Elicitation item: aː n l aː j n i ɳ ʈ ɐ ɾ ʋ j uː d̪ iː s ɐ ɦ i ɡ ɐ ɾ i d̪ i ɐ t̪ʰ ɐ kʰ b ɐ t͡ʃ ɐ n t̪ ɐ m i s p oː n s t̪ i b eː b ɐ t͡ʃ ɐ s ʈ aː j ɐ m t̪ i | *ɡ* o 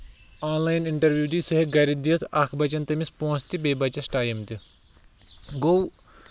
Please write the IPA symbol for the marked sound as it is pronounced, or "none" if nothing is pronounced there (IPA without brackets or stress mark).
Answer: ɡ